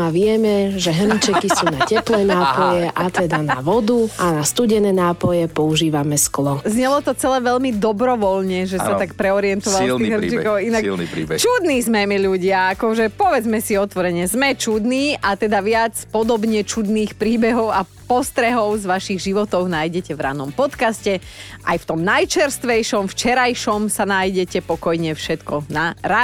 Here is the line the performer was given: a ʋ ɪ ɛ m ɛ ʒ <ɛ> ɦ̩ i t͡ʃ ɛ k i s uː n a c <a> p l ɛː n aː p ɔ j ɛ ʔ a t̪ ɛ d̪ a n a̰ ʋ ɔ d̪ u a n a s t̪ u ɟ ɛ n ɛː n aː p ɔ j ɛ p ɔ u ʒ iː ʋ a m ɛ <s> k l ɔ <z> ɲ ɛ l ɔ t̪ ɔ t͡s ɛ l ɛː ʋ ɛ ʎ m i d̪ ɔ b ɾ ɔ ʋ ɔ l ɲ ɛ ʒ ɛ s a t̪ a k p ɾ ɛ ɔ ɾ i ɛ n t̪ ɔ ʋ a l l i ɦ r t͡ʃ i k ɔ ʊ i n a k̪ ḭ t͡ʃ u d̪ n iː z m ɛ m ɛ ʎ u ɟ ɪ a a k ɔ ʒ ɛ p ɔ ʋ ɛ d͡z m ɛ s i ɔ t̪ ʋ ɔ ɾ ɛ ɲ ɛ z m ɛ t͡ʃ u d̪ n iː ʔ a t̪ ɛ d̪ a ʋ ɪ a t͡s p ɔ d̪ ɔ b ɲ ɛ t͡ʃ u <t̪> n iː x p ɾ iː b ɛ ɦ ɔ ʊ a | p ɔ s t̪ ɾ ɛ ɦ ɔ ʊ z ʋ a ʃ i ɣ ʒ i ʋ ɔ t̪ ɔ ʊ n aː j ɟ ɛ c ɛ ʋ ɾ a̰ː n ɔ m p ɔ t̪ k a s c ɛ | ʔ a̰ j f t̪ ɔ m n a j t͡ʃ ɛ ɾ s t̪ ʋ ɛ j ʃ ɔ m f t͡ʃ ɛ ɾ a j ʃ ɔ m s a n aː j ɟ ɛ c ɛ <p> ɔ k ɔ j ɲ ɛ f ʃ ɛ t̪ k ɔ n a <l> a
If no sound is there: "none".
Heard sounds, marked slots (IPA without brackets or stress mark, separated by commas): ɛ, ɛ, s, z, d̪, p, ɾ